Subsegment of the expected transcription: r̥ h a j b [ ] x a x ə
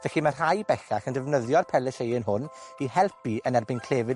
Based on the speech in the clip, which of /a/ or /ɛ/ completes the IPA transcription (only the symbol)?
ɛ